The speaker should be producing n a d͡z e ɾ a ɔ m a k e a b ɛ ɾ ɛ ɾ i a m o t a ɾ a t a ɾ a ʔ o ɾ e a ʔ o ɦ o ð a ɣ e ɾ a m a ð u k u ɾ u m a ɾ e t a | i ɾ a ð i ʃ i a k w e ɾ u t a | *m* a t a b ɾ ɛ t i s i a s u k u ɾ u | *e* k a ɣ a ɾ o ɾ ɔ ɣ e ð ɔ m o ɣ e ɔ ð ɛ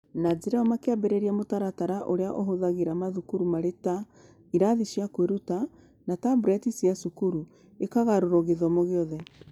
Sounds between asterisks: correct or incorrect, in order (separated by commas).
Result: incorrect, correct